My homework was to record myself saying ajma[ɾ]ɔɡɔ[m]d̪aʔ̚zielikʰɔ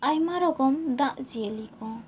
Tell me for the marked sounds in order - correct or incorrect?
correct, correct

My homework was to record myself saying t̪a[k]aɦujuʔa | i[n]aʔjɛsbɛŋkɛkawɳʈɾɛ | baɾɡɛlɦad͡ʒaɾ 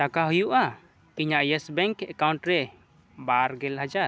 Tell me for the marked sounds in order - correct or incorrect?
correct, incorrect: ɲ

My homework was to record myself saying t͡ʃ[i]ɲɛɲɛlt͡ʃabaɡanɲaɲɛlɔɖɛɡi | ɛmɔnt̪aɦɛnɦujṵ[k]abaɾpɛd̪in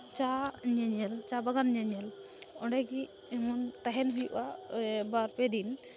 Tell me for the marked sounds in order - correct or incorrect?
incorrect: a, incorrect: ʔ

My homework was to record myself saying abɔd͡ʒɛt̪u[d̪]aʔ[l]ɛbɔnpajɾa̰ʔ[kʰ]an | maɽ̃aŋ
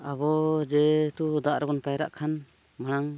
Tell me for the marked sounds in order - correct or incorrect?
correct, incorrect: ɾ, correct

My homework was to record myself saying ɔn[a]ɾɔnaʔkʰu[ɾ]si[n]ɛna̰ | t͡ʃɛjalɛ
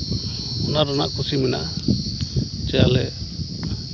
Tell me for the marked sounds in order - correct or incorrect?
correct, incorrect: none, incorrect: m

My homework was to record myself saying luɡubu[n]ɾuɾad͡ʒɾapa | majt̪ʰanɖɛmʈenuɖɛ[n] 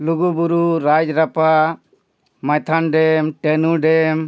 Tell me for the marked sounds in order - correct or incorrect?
incorrect: none, incorrect: m

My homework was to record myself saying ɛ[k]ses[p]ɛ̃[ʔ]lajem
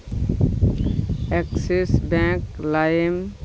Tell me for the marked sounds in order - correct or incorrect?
correct, incorrect: b, incorrect: k

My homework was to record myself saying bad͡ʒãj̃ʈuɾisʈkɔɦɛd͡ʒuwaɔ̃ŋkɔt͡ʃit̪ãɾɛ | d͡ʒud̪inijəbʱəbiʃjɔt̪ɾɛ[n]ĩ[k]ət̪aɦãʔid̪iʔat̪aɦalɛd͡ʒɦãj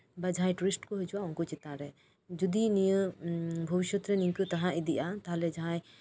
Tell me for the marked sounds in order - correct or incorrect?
correct, correct

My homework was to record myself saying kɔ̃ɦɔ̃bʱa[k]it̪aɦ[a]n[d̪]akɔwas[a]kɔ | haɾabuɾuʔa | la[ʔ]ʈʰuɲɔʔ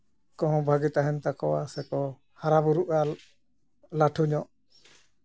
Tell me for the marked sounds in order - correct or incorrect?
incorrect: ɡ, incorrect: ɛ, incorrect: t̪, incorrect: ɛ, incorrect: none

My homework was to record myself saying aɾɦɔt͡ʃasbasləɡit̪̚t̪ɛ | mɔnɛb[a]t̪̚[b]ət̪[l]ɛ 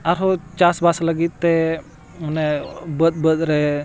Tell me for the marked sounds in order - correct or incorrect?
incorrect: ə, correct, incorrect: ɾ

